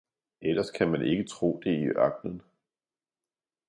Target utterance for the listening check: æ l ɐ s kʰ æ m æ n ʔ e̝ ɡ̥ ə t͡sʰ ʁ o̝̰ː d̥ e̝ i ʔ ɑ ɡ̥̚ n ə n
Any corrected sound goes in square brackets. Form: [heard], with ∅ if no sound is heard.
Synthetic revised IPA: [e] l ɐ s kʰ æ m æ n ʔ e̝ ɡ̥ ə t͡sʰ ʁ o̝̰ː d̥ e̝ i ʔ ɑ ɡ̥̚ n ə n